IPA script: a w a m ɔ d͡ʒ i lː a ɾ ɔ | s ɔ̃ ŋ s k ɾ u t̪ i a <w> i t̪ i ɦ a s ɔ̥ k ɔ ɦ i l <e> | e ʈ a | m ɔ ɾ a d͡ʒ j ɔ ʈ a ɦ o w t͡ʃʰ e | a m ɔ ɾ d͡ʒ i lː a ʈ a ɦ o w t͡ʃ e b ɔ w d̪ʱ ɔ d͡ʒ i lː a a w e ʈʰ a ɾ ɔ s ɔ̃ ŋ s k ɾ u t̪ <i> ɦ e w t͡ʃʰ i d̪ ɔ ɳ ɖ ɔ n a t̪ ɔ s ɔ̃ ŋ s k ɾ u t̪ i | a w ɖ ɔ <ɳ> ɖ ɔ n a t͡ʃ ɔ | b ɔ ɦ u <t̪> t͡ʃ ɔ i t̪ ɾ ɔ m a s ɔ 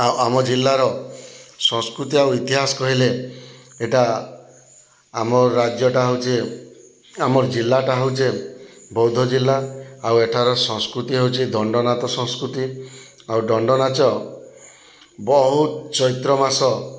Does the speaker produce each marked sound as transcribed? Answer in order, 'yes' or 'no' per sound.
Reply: yes, yes, yes, yes, yes

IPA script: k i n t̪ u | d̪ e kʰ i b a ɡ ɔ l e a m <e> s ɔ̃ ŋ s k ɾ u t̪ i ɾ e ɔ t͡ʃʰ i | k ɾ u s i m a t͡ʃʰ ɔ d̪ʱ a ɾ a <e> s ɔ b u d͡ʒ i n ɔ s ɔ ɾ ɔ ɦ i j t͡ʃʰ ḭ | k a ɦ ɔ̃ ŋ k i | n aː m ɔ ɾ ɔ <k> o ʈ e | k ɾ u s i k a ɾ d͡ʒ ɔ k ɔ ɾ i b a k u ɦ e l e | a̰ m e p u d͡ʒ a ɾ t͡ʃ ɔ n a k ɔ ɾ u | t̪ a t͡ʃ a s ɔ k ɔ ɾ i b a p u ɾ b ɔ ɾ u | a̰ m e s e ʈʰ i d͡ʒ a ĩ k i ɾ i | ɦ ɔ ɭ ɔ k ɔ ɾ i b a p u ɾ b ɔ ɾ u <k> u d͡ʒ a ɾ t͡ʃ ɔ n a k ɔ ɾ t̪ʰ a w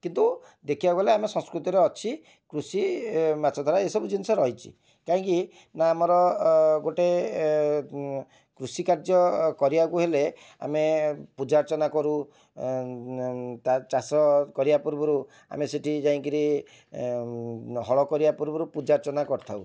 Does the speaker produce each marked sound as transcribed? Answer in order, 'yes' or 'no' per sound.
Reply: yes, yes, no, no

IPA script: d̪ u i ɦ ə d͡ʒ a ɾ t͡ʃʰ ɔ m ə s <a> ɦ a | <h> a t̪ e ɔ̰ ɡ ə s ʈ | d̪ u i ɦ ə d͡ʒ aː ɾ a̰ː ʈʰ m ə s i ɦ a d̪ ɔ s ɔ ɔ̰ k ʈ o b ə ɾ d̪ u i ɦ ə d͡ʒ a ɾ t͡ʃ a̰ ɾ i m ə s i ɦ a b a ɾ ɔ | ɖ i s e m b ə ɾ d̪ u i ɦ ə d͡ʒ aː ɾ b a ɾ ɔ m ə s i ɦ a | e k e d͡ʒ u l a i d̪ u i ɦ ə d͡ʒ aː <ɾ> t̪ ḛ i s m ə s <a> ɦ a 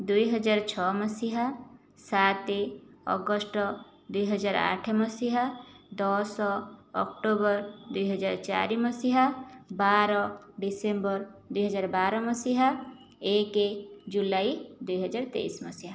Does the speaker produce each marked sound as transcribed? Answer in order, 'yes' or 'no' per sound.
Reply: no, no, yes, no

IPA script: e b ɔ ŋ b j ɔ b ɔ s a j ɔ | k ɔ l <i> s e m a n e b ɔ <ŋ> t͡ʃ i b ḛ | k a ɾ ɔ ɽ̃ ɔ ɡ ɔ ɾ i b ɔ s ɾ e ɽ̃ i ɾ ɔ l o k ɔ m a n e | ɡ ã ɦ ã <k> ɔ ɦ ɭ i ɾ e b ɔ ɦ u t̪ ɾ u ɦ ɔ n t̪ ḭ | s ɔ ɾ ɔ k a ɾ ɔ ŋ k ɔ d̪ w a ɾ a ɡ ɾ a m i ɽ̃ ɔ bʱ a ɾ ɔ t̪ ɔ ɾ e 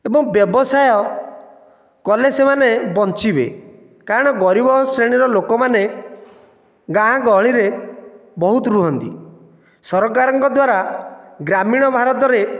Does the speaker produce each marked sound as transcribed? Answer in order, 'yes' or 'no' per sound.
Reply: no, no, no

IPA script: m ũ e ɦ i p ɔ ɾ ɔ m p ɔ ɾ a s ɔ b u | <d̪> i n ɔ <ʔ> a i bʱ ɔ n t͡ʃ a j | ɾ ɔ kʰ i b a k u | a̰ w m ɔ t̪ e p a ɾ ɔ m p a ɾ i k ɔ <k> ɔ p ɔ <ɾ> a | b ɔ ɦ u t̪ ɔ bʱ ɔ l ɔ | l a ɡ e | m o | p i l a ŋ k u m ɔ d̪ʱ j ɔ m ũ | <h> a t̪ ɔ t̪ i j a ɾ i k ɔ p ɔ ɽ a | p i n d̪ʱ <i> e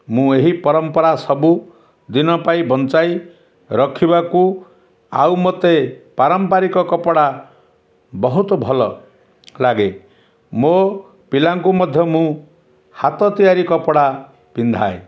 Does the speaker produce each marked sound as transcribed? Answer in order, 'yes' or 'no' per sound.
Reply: yes, no, yes, no, yes, no

